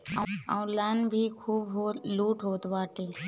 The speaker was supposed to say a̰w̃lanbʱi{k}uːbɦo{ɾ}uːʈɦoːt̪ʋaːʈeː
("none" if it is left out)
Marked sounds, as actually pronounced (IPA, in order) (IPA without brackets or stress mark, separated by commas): kʰ, l